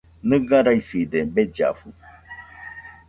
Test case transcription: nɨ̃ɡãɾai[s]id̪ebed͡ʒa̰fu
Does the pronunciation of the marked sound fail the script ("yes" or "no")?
yes